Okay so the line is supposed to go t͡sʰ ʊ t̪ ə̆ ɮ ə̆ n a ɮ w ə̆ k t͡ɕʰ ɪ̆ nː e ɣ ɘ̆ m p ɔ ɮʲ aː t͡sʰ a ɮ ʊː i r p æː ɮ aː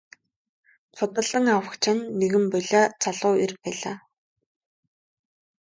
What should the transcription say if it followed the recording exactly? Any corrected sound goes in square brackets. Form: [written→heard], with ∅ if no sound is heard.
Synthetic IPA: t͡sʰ ʊ t̪ ə̆ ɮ ə̆ [n→ŋ] a [ɮ→∅] w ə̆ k t͡ɕʰ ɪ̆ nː e ɣ ɘ̆ m p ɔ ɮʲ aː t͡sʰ a ɮ ʊː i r p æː ɮ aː